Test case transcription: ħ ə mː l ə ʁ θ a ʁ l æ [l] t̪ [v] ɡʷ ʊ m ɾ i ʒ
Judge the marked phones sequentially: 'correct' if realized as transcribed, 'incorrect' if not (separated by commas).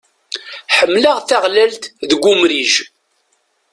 correct, incorrect